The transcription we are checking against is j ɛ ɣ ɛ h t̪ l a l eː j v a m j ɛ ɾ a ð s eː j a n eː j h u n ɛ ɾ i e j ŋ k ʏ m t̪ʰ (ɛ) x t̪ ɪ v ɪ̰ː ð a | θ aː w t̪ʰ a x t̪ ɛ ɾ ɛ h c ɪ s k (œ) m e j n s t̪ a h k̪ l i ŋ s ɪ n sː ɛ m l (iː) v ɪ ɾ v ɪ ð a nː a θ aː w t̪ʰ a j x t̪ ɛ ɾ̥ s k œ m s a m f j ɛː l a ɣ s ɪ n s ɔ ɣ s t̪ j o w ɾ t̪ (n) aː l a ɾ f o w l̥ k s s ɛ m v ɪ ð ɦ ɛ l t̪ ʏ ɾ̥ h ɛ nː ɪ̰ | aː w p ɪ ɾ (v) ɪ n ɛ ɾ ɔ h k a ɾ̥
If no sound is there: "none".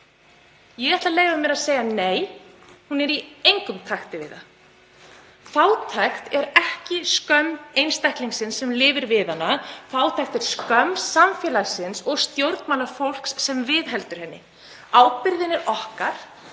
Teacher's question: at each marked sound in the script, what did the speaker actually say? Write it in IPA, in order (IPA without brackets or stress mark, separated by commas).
a, œ, ɪː, m, ð